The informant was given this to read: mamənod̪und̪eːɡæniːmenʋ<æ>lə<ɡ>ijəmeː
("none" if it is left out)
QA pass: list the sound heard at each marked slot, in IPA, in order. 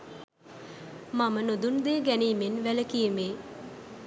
æ, k

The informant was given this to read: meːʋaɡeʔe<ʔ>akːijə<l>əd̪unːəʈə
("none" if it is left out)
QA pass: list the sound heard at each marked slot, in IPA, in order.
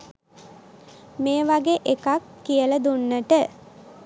k, l

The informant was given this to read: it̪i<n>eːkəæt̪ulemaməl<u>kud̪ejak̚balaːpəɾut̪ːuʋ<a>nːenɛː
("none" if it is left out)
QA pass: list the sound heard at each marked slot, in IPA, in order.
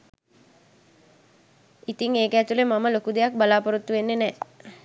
ŋ, o, e

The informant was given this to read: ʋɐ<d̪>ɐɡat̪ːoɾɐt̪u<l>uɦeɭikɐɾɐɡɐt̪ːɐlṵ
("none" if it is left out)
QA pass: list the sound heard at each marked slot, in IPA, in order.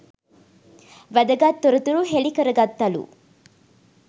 d̪, ɾ

